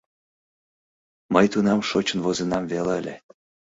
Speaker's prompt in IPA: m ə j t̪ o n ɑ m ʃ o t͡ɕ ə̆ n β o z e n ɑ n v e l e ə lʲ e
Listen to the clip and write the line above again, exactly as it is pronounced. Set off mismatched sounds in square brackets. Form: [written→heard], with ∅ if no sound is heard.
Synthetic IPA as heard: m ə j t̪ [o→u] n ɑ m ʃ o t͡ɕ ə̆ n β o z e n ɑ [n→m] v e l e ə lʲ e